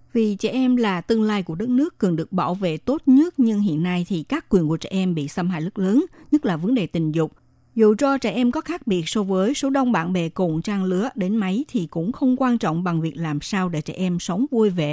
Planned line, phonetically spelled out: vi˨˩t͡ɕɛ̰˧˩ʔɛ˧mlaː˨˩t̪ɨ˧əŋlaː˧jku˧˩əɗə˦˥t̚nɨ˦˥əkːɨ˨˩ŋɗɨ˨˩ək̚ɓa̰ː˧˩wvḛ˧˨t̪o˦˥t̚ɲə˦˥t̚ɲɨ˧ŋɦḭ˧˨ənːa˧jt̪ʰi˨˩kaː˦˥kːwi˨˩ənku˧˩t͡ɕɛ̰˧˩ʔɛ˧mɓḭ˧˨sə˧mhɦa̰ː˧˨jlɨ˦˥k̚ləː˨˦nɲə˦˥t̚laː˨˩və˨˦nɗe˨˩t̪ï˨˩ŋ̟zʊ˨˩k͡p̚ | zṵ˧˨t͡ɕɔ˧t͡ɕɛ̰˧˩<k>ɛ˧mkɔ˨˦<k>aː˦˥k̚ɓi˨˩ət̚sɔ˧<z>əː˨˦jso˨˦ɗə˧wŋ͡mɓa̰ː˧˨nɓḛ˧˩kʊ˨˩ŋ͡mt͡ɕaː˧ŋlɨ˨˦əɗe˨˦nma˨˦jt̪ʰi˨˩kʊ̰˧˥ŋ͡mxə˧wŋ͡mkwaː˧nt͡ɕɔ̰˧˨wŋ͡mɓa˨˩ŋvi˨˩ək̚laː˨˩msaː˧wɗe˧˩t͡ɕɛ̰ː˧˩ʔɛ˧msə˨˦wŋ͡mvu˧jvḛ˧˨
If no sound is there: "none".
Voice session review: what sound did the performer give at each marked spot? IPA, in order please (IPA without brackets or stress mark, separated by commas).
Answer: ʔ, x, v